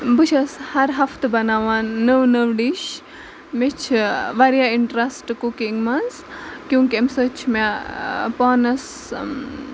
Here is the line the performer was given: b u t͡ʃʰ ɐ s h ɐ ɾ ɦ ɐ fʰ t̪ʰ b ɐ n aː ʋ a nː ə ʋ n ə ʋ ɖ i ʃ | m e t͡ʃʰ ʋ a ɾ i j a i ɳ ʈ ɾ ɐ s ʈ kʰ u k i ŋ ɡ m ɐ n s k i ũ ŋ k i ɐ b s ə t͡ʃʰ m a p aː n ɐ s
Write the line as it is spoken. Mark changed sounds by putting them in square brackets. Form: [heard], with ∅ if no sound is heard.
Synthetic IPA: b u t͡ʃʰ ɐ s h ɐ ɾ ɦ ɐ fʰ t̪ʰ b ɐ n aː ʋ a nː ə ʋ n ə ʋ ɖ i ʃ | m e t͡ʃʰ ʋ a ɾ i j a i ɳ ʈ ɾ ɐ s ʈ [k] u k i ŋ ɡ m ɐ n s k [j] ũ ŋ k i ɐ [m] s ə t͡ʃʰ m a p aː n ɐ s